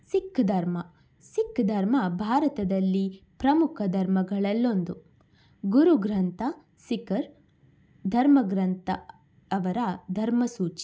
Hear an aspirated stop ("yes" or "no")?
yes